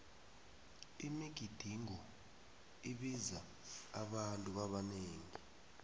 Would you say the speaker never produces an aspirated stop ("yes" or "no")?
yes